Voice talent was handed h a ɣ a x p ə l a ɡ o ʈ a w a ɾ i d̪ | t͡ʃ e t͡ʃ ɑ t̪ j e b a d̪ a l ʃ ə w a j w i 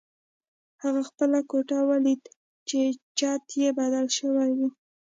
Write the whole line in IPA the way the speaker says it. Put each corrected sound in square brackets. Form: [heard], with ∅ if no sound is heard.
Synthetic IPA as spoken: h a ɣ a x p ə l a [k] o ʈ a w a [l] i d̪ | t͡ʃ e t͡ʃ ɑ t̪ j e b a d̪ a l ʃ ə w a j w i